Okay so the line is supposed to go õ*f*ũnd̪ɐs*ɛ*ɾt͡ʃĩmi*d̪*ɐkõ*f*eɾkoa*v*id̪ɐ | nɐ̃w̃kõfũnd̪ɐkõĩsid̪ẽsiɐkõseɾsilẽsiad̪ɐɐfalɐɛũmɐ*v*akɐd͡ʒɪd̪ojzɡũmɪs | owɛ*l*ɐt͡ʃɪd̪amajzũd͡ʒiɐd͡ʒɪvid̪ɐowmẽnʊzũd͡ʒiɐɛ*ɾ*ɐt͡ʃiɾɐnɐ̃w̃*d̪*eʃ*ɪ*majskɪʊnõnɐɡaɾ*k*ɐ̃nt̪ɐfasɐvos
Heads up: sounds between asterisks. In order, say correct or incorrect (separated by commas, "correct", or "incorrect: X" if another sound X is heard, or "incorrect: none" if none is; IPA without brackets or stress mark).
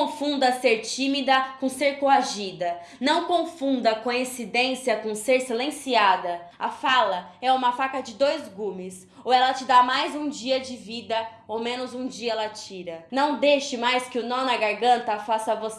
correct, incorrect: e, correct, incorrect: s, incorrect: ʒ, incorrect: f, correct, incorrect: l, correct, correct, incorrect: ɡ